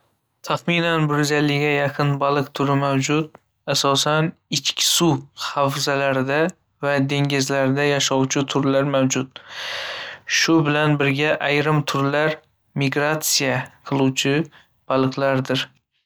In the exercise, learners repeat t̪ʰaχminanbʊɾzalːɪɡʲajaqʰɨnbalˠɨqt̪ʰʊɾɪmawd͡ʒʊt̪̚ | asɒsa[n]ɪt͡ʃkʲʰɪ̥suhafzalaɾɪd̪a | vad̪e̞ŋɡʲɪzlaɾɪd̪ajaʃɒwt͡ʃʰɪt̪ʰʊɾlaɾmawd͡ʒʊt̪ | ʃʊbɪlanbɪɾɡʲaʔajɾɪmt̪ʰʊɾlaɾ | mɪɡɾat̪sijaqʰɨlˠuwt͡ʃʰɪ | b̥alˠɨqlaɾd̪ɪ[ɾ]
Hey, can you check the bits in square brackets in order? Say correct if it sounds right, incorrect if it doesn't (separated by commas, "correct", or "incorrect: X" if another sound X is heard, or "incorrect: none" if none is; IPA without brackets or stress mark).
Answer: correct, correct